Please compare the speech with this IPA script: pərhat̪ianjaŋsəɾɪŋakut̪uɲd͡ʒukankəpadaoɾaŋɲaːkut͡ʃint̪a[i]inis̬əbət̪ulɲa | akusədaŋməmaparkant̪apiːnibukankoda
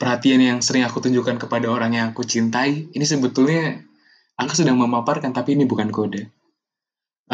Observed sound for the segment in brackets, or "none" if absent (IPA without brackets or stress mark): i